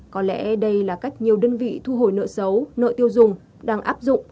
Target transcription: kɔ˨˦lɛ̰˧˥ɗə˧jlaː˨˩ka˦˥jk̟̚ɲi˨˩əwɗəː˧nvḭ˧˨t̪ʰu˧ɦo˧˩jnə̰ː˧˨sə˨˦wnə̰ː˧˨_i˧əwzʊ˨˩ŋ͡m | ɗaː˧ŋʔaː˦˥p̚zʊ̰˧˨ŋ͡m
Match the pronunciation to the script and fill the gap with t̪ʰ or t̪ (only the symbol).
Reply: t̪